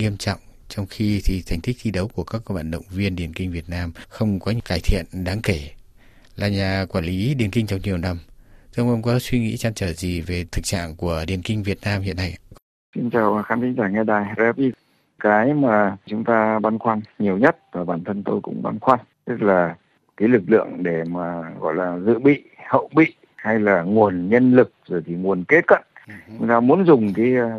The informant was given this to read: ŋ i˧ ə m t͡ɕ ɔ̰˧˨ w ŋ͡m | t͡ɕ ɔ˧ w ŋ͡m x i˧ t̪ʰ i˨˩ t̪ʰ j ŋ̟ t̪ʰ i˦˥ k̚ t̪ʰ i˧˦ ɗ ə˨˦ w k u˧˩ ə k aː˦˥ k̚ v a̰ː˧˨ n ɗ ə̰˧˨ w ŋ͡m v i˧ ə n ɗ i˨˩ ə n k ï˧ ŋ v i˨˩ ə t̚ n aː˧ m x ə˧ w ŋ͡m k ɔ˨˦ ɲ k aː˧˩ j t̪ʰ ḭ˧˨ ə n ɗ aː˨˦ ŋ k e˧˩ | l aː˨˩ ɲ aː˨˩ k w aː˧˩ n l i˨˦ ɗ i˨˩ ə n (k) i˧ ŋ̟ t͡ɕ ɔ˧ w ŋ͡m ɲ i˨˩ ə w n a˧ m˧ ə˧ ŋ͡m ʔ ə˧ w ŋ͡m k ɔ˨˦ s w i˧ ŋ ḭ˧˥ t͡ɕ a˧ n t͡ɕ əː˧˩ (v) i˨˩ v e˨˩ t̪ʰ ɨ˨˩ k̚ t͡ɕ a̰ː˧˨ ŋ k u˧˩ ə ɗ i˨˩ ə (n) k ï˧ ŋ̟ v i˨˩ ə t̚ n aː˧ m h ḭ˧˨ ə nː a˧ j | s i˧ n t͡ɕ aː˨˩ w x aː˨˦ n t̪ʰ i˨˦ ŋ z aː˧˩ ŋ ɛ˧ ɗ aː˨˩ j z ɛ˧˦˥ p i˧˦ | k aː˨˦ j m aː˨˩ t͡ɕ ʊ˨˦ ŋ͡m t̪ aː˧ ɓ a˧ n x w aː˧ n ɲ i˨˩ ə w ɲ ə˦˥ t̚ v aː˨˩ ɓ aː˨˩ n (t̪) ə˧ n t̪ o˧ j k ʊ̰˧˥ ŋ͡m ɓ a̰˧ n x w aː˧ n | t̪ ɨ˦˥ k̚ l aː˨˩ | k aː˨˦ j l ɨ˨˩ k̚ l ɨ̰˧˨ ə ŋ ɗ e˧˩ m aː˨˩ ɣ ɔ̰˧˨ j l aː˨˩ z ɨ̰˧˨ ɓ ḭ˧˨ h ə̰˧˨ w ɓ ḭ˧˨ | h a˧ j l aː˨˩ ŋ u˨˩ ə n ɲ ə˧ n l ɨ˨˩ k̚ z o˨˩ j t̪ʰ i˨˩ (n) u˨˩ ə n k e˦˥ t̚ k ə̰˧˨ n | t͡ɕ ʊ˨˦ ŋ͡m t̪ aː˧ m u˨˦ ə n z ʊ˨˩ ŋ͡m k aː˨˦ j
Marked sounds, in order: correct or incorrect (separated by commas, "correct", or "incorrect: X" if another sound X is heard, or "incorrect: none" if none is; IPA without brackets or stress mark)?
correct, incorrect: z, correct, incorrect: t̪ʰ, incorrect: ŋ